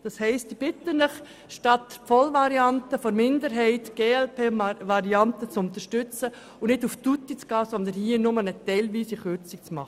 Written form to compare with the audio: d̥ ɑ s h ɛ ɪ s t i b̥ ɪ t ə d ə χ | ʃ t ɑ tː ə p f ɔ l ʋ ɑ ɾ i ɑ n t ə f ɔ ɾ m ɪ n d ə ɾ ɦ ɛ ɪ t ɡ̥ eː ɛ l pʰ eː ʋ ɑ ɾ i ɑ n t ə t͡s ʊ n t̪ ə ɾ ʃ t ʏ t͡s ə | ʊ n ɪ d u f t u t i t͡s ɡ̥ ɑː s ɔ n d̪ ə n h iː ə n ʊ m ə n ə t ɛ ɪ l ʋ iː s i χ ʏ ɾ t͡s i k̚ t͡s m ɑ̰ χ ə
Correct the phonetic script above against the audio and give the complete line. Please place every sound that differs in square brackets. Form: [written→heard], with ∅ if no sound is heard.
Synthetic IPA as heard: d̥ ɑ s h ɛ ɪ s t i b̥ ɪ t ə [d→n] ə χ | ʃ t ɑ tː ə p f ɔ l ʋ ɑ ɾ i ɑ n t ə f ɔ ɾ m ɪ n d ə ɾ ɦ ɛ ɪ t ɡ̥ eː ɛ l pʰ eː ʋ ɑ ɾ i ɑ n t ə t͡s ʊ n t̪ ə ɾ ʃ t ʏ t͡s ə | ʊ n ɪ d u f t u t i t͡s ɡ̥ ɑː s ɔ n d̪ ə n h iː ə n ʊ m ə n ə t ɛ ɪ l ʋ iː s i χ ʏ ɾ t͡s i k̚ t͡s m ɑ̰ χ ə